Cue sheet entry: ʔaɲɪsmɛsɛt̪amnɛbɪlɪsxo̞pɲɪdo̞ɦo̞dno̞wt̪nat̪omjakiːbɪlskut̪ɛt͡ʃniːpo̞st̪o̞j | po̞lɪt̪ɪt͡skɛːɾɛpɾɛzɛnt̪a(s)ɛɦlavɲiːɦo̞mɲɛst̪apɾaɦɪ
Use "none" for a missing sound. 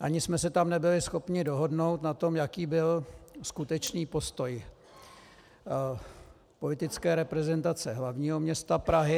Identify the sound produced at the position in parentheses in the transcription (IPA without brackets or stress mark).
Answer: t͡s